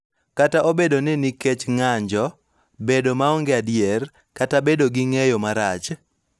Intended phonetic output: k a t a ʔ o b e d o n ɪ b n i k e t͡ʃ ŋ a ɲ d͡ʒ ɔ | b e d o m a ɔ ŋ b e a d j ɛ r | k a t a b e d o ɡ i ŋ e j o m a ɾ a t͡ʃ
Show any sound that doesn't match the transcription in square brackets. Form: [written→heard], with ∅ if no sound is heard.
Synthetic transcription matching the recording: k a t a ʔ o b e d o n ɪ [b→∅] n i k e t͡ʃ ŋ a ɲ d͡ʒ ɔ | b e d o m a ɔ ŋ [b→ɡ] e a d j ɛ r | k a t a b e d o ɡ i ŋ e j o m a ɾ a t͡ʃ